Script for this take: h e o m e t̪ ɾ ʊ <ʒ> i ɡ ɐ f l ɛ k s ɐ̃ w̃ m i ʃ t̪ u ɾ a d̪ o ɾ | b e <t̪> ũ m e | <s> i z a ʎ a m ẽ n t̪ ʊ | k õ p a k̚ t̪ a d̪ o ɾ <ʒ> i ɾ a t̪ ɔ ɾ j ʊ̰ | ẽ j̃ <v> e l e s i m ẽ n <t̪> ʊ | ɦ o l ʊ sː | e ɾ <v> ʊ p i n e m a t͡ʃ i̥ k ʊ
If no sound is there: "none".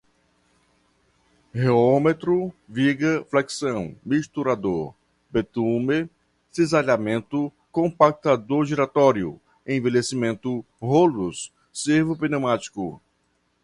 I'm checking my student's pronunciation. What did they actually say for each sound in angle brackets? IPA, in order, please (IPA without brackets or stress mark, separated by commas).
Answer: v, t̪, s, ʒ, v, t̪, v